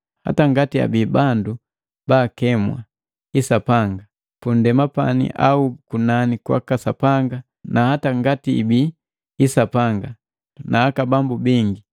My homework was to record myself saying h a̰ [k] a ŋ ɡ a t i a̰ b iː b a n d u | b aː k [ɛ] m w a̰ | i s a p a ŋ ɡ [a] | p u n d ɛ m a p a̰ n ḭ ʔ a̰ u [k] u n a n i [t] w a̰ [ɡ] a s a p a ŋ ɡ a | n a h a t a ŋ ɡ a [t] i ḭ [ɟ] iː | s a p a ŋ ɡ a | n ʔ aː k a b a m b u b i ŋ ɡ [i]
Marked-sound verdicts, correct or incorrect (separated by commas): incorrect, correct, correct, correct, incorrect, incorrect, correct, incorrect, correct